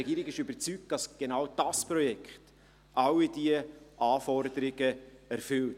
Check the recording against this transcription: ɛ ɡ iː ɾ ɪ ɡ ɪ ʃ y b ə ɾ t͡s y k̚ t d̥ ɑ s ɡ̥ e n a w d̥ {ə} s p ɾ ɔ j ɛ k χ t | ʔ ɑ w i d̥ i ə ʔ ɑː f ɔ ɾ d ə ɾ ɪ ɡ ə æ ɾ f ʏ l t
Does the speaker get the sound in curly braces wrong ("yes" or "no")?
yes